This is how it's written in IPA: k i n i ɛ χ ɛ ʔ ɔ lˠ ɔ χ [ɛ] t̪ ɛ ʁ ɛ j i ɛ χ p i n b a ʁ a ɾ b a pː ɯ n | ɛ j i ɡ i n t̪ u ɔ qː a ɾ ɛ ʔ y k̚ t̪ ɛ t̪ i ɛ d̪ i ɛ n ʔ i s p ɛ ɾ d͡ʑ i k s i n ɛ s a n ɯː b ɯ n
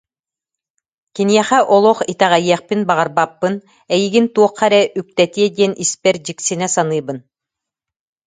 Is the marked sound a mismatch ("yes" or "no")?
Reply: yes